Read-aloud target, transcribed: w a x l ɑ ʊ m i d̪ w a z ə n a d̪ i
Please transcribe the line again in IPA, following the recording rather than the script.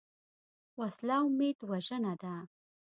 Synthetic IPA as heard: w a s l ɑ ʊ m e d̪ w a ʒ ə n a d̪ a